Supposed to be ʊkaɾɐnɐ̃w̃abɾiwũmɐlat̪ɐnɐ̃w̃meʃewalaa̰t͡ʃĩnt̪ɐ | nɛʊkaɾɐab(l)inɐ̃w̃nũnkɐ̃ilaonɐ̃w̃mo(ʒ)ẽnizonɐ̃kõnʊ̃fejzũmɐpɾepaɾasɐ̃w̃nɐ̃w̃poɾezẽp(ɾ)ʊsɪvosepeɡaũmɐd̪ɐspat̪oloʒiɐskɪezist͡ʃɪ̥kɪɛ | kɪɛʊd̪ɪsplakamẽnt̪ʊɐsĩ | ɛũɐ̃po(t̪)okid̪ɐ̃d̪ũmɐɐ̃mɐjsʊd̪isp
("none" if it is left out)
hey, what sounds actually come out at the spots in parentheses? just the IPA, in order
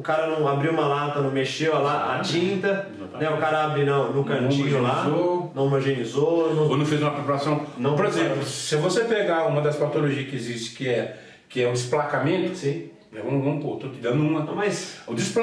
ɾ, ʒ, l, t̪

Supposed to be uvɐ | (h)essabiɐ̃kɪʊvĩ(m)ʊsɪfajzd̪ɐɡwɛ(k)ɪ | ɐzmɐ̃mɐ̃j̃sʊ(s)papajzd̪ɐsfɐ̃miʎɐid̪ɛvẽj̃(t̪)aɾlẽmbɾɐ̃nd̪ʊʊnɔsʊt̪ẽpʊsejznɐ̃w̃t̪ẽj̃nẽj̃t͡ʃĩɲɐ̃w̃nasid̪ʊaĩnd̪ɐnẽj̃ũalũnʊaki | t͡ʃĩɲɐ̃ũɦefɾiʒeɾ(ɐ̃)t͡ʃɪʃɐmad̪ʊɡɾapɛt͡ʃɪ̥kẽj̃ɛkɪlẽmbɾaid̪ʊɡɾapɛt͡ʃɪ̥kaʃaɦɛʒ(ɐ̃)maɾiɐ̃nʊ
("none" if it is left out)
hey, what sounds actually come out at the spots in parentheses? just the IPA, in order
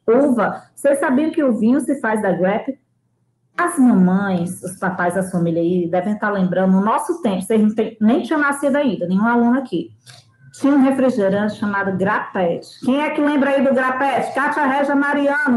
s, ɲ, p, s, t̪, ɐ̃, ɐ

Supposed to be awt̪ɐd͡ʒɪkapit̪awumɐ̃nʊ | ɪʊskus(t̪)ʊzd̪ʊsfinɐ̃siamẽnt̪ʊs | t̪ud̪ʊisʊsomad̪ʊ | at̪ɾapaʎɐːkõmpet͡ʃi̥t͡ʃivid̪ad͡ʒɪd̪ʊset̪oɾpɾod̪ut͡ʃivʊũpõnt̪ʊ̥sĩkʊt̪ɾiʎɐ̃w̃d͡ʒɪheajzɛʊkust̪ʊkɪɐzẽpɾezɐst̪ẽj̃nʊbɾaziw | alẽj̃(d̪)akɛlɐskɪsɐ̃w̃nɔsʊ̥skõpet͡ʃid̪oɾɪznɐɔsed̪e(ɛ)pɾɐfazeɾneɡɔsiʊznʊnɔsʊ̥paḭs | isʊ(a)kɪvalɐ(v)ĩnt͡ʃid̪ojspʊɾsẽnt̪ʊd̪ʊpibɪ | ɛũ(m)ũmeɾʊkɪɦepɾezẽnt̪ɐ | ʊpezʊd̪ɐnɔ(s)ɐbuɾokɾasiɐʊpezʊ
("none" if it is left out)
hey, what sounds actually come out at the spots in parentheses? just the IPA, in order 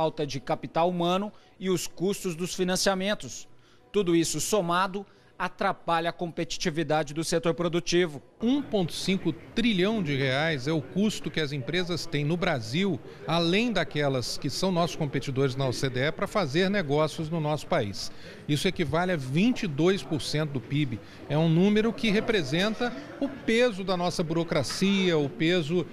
t̪, d̪, ɛ, ɛ, v, n, s

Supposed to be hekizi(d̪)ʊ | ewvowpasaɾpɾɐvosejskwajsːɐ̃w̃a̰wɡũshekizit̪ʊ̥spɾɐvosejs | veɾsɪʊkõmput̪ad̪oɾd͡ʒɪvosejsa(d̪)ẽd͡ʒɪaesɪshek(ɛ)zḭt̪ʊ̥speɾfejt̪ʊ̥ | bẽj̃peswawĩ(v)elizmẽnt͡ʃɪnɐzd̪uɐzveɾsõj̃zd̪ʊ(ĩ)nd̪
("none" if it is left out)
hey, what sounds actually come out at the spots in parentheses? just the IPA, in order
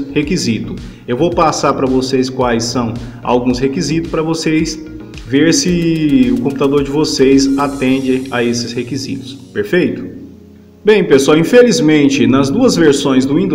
t̪, t̪, i, f, ĩ

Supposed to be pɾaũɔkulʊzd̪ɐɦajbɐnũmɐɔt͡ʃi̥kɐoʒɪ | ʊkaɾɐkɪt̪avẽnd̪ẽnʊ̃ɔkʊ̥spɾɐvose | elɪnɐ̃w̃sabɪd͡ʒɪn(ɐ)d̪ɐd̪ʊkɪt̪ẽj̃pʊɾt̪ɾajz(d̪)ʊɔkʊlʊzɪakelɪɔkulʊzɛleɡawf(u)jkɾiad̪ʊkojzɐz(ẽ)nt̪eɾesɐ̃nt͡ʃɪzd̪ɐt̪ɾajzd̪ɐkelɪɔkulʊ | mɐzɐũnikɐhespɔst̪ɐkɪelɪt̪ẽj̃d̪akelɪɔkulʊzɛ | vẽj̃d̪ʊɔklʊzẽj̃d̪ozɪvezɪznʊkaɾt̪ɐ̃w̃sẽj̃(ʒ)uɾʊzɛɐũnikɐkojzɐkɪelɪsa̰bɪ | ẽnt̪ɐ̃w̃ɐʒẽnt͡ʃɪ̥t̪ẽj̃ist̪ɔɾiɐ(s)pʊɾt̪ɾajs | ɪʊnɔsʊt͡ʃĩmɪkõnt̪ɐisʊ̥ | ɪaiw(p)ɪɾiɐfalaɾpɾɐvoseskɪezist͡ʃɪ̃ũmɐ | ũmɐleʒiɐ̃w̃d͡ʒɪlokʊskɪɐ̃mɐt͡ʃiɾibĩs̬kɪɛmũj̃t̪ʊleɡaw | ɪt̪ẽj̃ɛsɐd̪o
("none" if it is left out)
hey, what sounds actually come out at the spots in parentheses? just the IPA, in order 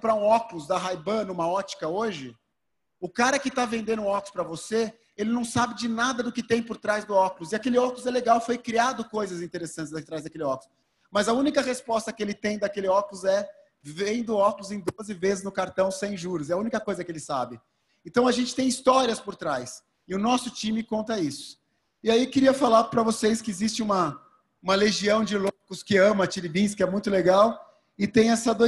a, d̪, o, ĩ, ʒ, s, k

